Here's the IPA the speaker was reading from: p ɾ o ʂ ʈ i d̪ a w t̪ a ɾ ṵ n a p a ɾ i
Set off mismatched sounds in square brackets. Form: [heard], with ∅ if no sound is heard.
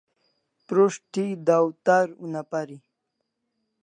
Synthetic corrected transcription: p ɾ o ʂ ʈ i d̪ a w t̪ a ɾ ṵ n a p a ɾ i